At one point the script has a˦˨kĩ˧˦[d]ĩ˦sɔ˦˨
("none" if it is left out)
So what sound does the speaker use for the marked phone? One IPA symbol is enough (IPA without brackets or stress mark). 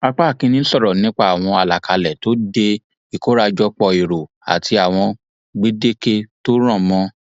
n